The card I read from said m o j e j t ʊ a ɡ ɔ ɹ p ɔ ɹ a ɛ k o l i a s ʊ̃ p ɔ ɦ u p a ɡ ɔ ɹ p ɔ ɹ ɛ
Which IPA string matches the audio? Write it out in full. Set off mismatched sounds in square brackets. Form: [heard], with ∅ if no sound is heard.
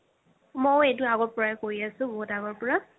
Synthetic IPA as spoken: m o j e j t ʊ a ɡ ɔ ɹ p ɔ ɹ a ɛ k o [ɹ] i a s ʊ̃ [b] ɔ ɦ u [t] a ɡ ɔ ɹ p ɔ ɹ [a]